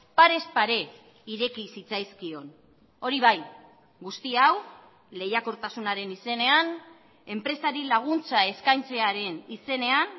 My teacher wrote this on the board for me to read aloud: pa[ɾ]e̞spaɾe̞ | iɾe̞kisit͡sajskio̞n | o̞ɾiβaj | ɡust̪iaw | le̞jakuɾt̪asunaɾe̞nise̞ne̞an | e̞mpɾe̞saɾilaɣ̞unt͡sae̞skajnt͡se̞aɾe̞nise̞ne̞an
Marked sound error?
no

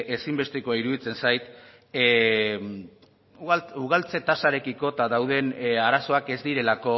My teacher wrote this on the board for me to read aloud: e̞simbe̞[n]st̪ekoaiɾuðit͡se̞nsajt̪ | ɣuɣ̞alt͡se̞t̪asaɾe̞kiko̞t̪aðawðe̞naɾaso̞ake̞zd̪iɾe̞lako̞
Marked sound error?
yes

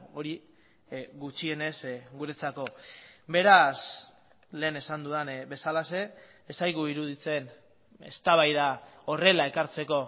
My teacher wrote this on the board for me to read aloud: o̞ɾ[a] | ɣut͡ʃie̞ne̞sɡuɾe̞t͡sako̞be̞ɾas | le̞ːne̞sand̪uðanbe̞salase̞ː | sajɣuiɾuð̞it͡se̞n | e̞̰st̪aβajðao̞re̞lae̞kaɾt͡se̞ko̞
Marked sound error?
yes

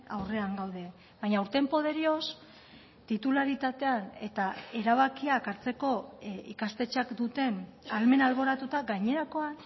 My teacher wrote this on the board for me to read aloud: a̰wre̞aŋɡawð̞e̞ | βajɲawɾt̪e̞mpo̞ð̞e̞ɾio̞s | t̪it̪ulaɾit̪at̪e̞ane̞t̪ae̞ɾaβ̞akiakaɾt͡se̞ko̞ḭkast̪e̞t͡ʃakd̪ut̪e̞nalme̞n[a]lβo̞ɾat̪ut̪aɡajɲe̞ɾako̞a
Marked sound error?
no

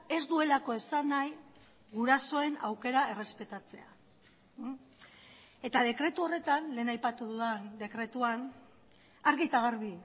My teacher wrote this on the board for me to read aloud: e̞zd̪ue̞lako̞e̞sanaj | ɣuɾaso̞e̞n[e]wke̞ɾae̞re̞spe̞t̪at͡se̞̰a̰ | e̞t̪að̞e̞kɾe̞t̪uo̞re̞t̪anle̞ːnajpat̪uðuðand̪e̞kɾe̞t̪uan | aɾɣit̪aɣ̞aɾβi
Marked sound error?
yes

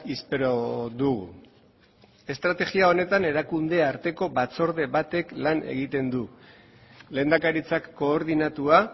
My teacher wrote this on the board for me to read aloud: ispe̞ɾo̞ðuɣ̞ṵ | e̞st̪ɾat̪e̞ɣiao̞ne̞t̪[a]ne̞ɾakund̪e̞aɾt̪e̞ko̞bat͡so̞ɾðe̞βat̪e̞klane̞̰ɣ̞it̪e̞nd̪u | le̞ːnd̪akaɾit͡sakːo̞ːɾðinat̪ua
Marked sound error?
no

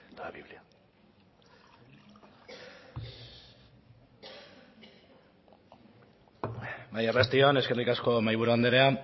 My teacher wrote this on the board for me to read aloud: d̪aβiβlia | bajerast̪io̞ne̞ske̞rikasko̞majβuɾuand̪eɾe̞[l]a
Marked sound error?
yes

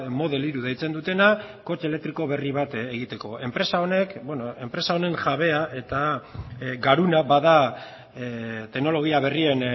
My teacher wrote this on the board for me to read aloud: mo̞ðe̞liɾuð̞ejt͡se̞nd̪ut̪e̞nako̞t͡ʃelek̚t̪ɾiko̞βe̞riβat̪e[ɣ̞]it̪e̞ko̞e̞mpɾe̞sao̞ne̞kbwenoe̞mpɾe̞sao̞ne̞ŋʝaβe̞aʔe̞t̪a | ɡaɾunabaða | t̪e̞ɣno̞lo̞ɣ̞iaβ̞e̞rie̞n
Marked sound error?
no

